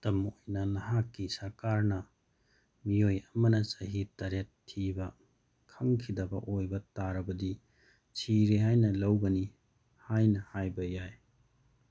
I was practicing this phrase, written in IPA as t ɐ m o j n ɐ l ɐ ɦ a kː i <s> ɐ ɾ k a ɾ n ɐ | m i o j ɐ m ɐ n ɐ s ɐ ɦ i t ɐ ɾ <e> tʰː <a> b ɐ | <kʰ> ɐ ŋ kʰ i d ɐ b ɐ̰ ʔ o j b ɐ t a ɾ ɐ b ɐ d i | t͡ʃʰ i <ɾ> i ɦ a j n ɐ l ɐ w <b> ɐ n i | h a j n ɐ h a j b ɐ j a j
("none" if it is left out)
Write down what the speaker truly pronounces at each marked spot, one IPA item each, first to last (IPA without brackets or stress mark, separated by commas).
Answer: s, e, i, kʰ, ɾ, ɡ